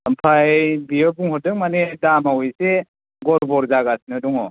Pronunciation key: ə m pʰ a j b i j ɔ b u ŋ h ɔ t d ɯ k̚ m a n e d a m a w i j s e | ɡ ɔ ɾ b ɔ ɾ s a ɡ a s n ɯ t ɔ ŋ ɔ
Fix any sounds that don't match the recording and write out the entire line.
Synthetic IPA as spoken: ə m pʰ a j b i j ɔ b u ŋ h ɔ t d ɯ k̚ m a n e d a m a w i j s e | ɡ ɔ ɾ b ɔ ɾ z a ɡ a s n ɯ d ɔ ŋ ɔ